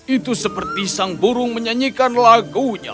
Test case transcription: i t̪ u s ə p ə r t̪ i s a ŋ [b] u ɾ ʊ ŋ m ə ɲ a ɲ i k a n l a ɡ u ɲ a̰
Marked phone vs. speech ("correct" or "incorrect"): correct